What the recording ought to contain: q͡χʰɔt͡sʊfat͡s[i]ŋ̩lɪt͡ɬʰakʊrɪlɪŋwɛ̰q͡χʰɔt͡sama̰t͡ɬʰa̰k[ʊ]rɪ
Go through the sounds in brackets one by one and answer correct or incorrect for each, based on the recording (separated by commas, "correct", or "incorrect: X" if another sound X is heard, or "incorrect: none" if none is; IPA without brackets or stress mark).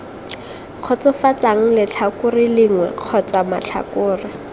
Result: incorrect: a, incorrect: ʊː